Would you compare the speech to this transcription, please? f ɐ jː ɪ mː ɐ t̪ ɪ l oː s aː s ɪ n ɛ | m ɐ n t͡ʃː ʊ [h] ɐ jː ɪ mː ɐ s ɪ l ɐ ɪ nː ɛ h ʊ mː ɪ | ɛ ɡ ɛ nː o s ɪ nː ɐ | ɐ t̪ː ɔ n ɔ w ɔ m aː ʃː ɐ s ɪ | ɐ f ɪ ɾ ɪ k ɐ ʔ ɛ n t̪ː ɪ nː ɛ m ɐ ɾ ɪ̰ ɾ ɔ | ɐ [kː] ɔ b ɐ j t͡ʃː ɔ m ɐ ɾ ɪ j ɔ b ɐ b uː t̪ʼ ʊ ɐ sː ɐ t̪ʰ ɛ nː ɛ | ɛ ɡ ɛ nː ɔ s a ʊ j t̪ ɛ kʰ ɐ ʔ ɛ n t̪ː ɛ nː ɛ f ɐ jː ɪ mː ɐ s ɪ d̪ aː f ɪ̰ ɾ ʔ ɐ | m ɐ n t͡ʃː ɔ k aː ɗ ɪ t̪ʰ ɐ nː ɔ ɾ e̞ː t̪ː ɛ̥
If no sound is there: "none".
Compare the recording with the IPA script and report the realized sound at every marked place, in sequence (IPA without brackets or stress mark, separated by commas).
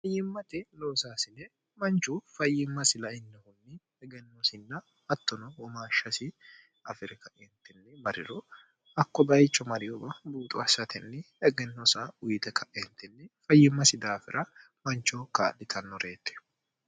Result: f, kː